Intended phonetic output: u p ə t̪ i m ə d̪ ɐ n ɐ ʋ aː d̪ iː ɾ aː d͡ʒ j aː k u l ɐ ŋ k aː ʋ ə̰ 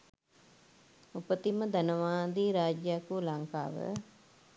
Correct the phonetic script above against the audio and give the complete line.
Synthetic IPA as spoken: u p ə t̪ i m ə d̪ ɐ n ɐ ʋ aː d̪ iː ɾ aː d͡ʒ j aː k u l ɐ ŋ k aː ʋ ə̰